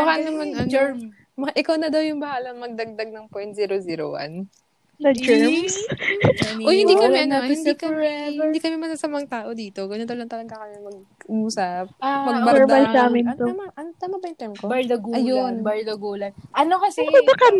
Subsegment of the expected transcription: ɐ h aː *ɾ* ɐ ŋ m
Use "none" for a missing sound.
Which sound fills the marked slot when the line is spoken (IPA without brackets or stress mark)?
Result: l